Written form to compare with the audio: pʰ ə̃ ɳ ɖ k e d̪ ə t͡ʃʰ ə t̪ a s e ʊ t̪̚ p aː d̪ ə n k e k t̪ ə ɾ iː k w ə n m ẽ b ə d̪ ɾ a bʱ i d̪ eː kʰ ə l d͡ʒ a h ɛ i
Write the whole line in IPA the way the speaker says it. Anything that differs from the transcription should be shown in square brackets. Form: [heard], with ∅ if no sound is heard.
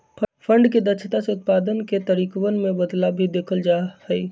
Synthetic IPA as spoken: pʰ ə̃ ɳ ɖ k e d̪ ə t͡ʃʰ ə t̪ a s e ʊ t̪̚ p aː d̪ ə n k e [∅] t̪ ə ɾ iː k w ə n m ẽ b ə d̪ [l] a bʱ i d̪ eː kʰ ə l d͡ʒ a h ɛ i